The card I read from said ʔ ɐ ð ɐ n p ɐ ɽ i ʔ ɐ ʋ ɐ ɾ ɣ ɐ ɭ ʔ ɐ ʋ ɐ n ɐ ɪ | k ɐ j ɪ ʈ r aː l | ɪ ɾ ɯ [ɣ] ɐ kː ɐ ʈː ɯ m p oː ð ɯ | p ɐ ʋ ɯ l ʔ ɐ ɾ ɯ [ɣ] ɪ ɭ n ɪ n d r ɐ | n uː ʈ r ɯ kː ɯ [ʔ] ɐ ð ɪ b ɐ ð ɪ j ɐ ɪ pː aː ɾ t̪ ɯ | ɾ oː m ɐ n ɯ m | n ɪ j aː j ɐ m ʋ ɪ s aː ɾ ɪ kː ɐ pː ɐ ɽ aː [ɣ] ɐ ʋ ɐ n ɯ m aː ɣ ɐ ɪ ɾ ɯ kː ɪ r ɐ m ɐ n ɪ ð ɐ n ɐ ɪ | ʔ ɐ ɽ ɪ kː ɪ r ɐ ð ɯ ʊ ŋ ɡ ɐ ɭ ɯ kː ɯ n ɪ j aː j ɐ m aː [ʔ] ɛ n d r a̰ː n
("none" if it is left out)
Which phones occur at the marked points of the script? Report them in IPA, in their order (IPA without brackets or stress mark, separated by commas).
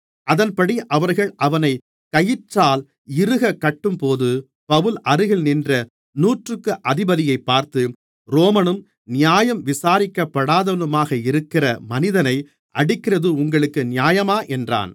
ɣ, ɣ, ʔ, ð, ʔ